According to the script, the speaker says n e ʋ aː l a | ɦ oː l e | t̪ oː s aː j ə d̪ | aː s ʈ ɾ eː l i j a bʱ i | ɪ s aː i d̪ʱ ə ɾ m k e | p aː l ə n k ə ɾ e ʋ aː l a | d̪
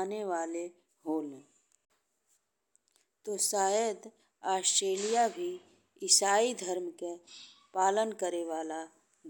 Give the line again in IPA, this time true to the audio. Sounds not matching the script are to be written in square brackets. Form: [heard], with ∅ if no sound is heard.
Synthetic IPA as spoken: n e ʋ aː l [e] | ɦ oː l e | t̪ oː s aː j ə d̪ | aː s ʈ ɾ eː l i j a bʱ i | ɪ s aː i d̪ʱ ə ɾ m k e | p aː l ə n k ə ɾ e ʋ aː l a | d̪